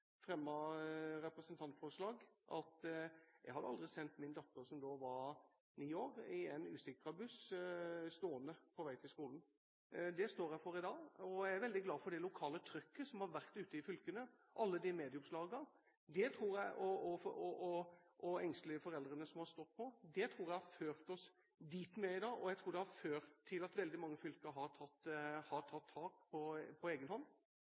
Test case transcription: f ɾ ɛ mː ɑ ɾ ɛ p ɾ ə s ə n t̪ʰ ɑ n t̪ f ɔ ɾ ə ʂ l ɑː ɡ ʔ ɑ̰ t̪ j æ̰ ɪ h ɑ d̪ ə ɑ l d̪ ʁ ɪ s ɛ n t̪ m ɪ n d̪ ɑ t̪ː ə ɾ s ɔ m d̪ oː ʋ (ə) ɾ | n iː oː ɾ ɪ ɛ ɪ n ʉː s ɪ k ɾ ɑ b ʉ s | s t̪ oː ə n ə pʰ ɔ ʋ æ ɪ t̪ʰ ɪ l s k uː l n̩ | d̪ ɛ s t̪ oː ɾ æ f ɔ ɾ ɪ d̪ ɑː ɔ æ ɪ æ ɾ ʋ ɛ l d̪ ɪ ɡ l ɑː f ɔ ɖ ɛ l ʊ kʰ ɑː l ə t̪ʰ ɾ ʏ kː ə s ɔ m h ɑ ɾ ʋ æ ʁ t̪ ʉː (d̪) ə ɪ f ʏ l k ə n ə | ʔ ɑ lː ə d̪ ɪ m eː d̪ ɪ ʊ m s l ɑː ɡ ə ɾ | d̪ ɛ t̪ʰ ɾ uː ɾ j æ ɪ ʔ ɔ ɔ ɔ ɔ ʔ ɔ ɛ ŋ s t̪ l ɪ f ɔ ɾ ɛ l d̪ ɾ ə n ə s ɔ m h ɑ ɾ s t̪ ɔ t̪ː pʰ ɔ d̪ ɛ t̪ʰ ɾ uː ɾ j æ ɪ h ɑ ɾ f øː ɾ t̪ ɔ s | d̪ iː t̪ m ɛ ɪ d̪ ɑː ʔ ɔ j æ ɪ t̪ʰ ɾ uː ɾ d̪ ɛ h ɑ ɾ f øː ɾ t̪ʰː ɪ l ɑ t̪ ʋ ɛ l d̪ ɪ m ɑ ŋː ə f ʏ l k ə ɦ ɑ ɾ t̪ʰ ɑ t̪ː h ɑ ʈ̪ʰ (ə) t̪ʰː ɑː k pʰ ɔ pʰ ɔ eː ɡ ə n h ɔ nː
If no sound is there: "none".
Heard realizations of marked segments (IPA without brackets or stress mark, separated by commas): ɑ, t̪, ɑ